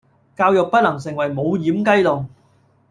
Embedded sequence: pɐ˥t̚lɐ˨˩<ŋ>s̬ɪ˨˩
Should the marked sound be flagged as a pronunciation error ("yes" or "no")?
no